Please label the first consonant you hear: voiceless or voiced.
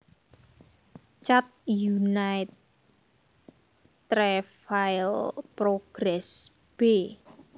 voiceless